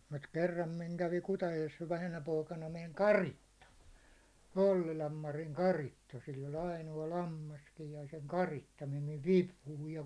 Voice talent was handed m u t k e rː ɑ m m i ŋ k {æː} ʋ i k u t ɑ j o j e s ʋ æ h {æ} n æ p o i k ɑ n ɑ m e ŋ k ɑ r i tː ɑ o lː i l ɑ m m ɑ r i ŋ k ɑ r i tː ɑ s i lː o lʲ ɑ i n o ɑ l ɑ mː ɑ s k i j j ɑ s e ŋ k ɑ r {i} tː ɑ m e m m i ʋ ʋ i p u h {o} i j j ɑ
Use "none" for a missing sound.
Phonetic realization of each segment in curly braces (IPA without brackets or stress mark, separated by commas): æ, æ, i, u